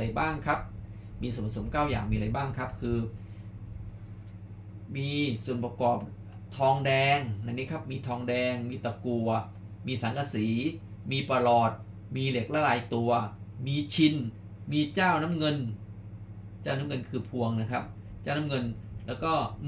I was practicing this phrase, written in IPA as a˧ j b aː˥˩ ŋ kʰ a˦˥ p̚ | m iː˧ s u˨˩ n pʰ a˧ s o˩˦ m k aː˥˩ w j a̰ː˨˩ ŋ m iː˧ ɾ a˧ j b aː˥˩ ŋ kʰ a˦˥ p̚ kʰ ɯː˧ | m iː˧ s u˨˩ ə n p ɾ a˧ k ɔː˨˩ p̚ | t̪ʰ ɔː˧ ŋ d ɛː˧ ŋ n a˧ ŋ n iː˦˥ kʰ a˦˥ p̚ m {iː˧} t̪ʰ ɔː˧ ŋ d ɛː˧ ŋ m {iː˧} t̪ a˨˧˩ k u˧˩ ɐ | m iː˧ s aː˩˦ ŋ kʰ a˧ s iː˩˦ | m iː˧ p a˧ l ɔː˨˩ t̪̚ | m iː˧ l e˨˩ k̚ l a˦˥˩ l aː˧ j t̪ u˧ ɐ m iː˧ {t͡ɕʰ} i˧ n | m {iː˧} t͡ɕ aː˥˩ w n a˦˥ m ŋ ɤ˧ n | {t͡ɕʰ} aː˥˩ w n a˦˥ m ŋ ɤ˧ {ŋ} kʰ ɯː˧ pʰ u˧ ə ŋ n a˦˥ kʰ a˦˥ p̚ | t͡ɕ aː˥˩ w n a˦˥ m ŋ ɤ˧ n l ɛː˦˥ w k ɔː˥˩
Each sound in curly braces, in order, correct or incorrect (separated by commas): correct, correct, correct, correct, incorrect, incorrect